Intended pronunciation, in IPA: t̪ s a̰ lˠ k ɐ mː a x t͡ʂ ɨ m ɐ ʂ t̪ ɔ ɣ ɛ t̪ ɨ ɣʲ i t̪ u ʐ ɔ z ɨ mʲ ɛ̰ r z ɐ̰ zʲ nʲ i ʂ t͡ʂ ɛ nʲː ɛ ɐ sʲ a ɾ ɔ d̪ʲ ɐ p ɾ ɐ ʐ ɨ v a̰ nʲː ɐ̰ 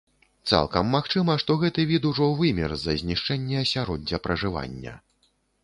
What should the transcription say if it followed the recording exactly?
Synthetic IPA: t̪ s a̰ lˠ k ɐ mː a x t͡ʂ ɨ m ɐ ʂ t̪ ɔ ɣ ɛ t̪ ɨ vʲ i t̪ u ʐ ɔ v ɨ mʲ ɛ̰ r z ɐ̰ zʲ nʲ i ʂ t͡ʂ ɛ nʲː ɛ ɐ sʲ a ɾ ɔ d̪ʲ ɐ p ɾ ɐ ʐ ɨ v a̰ nʲː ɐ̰